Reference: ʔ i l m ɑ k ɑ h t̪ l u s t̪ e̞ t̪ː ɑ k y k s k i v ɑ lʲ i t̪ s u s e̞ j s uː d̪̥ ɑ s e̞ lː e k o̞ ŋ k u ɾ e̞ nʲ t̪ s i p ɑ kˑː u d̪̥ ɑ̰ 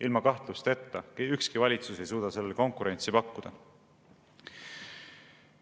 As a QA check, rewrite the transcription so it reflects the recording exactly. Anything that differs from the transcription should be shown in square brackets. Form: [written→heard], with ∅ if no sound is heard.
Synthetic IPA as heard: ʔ i l m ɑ k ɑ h t̪ l u s t̪ e̞ t̪ː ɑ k y k s k i v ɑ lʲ i t̪ s u s e̞ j s uː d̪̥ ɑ s e̞ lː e k o̞ ŋ k u ɾ e̞ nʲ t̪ s i p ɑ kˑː u d̪̥ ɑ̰